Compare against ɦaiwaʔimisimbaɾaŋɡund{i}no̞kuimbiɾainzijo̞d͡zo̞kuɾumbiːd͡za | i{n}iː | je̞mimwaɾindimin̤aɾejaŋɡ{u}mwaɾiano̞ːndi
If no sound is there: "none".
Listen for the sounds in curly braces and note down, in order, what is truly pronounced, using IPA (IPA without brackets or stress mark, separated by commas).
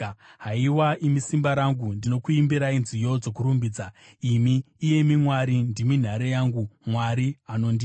i, m, u